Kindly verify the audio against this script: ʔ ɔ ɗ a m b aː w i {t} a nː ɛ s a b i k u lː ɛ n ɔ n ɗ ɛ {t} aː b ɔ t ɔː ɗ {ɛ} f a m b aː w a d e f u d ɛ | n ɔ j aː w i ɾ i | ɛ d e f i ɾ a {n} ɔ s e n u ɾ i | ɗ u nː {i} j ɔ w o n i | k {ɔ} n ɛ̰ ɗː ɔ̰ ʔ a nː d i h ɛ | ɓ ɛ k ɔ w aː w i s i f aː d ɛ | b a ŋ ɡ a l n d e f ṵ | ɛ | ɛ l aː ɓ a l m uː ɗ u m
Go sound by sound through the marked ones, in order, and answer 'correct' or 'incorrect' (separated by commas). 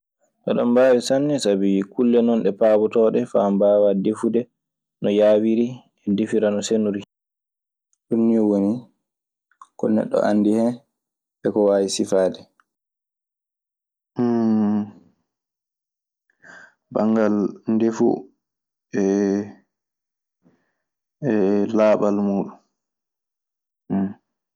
incorrect, incorrect, correct, correct, correct, correct